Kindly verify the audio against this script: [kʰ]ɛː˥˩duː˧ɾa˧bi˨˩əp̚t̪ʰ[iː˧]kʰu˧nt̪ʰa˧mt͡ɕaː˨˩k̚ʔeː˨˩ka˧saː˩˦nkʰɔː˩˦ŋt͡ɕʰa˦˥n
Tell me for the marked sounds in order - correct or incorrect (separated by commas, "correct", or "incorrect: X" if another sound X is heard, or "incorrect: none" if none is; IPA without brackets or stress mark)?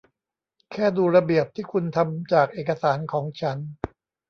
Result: correct, incorrect: iː˥˩